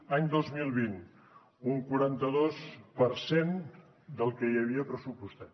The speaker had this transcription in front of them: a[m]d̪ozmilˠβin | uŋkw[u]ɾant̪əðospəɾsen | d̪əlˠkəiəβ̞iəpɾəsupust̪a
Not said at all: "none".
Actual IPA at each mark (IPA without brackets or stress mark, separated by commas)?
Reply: ɲ, u